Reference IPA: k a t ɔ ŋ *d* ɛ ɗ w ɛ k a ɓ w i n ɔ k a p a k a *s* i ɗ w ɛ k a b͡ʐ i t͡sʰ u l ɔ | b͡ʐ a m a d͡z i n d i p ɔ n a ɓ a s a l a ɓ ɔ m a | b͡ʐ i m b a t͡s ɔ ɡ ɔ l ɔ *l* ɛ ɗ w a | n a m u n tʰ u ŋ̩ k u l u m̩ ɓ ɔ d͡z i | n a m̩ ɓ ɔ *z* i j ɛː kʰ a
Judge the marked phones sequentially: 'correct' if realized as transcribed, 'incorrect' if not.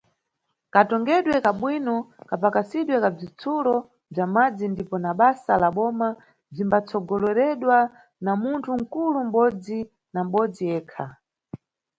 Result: incorrect, correct, incorrect, incorrect

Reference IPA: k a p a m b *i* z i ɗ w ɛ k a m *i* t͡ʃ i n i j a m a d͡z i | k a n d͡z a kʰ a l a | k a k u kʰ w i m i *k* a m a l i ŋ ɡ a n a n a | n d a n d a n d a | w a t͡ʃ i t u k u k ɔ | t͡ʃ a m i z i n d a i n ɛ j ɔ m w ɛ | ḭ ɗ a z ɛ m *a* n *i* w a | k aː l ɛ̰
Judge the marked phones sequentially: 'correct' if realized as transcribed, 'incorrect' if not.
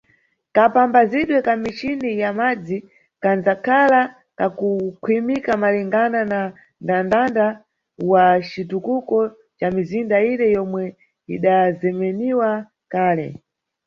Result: incorrect, correct, correct, incorrect, correct

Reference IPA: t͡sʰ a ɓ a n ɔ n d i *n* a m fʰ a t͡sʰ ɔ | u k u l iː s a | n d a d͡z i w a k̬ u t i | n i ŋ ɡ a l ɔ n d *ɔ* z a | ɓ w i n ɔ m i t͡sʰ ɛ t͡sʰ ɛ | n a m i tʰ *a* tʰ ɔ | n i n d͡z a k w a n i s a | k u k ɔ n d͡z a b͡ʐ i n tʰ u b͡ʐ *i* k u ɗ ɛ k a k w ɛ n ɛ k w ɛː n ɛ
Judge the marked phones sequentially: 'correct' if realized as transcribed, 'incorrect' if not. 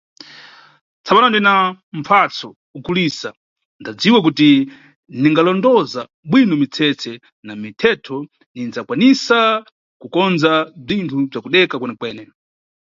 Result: correct, correct, incorrect, incorrect

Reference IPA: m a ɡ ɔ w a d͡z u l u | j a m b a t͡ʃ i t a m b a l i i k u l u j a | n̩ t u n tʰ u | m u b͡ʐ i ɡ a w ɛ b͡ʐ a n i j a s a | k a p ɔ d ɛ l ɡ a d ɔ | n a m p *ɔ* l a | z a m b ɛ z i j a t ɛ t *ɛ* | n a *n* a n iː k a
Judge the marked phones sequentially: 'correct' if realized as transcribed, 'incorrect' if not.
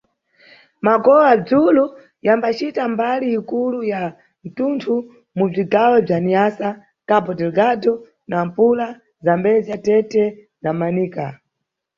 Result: incorrect, correct, incorrect

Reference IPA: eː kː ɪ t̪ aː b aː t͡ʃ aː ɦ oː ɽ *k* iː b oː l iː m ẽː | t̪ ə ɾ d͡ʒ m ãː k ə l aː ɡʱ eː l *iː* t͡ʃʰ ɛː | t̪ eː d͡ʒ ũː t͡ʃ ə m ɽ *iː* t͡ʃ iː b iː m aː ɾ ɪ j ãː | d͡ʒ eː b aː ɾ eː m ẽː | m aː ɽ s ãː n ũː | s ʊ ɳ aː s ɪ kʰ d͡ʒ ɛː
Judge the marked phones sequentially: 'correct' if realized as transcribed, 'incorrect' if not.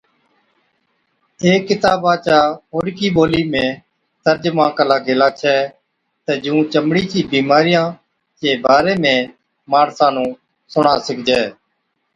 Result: correct, incorrect, correct

